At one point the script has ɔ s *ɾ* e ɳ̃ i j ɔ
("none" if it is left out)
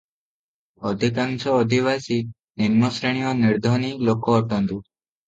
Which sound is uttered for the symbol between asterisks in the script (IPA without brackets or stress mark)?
ɾ